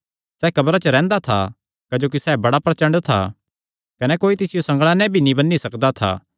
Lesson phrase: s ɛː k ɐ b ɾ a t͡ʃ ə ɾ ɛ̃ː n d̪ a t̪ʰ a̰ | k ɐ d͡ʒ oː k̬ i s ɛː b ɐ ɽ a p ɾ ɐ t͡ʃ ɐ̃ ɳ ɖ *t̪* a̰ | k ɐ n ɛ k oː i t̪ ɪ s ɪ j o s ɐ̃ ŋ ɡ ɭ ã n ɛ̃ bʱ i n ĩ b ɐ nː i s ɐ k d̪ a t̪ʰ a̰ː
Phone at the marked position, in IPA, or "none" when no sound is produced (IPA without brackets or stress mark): t̪ʰ